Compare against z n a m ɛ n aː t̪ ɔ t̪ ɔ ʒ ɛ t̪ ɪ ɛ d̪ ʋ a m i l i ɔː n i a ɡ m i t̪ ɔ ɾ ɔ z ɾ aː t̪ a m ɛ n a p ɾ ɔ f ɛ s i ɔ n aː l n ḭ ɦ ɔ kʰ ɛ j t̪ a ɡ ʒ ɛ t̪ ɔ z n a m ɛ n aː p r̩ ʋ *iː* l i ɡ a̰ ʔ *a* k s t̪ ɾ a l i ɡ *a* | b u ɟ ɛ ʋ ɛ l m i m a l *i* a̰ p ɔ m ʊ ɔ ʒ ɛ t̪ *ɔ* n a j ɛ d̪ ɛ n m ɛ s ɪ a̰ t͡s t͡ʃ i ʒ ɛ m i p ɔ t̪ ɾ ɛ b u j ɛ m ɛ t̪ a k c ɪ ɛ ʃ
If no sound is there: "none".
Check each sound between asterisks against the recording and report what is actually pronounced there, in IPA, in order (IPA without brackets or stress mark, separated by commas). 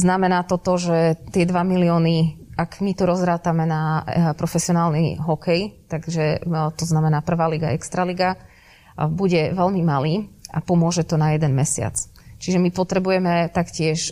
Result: aː, ɛ, a, iː, ɔ